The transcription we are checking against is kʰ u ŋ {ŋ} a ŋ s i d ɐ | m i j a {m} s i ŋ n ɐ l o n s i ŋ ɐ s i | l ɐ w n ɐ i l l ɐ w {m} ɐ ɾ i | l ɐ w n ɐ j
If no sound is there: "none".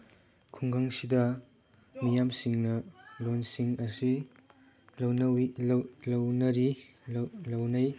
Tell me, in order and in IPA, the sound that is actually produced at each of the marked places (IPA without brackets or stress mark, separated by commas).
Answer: ɡ, m, n